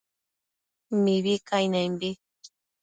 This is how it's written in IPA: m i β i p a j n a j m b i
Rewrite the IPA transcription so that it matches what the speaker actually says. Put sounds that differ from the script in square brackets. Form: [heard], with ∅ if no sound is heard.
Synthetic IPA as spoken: m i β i [k] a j n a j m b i